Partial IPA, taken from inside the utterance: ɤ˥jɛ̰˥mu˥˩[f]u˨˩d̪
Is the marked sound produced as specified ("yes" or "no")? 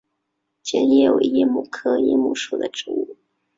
no